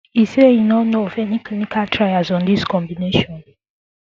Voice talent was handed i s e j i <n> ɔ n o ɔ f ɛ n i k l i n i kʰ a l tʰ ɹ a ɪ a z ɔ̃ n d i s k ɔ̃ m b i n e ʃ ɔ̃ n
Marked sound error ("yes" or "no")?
no